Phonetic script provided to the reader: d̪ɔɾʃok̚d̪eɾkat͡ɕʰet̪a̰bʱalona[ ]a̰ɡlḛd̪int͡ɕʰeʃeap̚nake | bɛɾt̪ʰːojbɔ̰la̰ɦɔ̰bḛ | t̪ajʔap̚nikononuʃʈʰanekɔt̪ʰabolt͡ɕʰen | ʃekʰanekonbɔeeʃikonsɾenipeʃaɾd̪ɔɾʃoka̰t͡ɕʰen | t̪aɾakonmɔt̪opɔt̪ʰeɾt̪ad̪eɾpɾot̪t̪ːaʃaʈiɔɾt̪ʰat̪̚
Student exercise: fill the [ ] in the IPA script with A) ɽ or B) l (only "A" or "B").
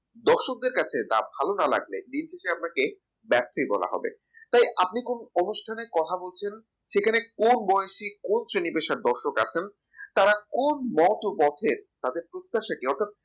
B